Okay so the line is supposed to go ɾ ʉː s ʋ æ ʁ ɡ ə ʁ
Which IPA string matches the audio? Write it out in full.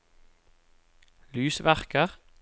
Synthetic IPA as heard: l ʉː s ʋ æ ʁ k ə ʁ